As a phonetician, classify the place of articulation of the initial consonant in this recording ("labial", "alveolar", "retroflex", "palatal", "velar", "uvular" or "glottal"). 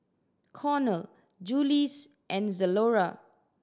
velar